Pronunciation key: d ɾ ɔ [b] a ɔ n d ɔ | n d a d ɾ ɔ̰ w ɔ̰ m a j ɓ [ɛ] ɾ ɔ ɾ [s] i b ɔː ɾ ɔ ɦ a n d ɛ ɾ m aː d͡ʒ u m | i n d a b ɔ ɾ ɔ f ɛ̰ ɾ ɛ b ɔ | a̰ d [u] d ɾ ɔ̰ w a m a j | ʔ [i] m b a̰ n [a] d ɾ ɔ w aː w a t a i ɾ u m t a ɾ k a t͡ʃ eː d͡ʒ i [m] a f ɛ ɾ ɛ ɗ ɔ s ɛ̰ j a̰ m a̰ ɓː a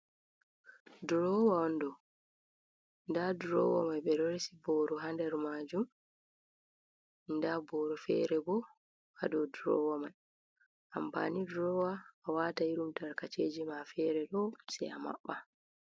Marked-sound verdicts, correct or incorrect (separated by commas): incorrect, correct, correct, incorrect, incorrect, incorrect, correct